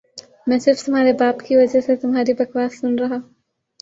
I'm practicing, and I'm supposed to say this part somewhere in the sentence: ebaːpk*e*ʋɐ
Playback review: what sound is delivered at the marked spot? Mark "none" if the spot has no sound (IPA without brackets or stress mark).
i